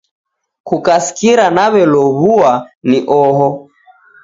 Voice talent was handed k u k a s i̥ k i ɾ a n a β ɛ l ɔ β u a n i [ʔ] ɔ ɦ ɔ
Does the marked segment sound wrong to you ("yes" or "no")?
no